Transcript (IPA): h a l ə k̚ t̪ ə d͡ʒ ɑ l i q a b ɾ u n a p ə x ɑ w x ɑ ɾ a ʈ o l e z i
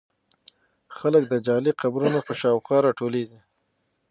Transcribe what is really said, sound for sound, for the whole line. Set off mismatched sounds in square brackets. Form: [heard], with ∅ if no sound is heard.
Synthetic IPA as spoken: [x] a l ə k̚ [d̪] ə d͡ʒ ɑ l i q a b ɾ u n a p ə [ʃ] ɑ w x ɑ ɾ [ɑ] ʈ o l e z i